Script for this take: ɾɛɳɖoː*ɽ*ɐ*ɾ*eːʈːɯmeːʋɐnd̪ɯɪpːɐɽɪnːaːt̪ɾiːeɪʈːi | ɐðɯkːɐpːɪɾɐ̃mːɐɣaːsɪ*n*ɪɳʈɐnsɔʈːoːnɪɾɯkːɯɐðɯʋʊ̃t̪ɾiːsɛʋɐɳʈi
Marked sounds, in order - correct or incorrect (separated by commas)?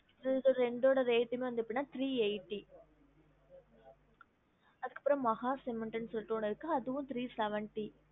correct, correct, incorrect